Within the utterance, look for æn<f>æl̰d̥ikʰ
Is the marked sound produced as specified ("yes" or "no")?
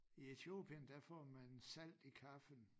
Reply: no